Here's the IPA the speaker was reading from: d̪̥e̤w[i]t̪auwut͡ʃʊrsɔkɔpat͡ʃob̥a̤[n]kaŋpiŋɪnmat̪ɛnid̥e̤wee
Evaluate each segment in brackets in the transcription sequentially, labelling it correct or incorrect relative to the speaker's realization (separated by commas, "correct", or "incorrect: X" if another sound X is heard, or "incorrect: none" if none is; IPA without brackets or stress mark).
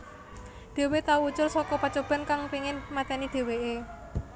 incorrect: e, correct